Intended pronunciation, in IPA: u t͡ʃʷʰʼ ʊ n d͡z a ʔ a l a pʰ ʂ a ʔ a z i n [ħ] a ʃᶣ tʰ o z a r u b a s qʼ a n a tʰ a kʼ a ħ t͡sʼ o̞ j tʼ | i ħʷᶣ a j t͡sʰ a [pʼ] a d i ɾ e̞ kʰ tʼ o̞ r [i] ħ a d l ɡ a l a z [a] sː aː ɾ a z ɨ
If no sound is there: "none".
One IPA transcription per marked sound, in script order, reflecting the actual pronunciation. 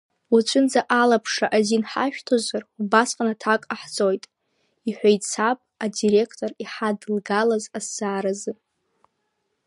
ħ, pʼ, i, a

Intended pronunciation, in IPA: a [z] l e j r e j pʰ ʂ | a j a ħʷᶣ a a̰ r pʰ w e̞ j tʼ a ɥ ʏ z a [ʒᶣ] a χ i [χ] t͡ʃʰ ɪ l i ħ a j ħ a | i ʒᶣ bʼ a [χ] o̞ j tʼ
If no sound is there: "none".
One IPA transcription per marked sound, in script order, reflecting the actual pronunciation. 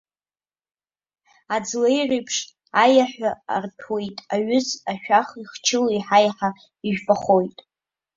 d͡z, ʃᶣ, χ, χ

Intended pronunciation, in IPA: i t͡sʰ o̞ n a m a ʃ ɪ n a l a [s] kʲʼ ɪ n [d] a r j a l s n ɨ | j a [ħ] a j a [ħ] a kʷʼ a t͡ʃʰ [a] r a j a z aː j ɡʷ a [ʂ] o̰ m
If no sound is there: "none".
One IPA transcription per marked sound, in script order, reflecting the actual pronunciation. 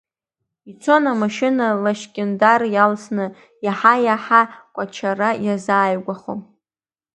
ʃ, d, ħ, ħ, a, χ

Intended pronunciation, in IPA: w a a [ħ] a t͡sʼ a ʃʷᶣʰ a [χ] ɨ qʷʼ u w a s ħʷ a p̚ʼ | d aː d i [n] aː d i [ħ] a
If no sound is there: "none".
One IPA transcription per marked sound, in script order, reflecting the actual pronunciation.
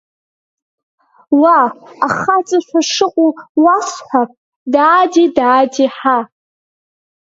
χ, ʂ, d, ħ

